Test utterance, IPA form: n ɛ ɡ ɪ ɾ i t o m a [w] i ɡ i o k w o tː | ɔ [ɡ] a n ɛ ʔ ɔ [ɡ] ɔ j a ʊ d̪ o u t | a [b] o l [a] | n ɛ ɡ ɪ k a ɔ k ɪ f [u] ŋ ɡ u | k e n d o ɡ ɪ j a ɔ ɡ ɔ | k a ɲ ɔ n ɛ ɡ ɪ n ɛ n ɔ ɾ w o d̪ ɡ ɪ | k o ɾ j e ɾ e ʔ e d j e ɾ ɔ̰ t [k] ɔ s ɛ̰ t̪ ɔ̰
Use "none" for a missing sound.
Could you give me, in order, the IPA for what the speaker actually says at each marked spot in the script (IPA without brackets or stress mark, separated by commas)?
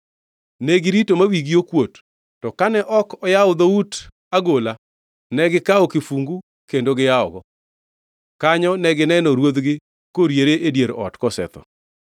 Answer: w, k, k, ɡ, a, u, k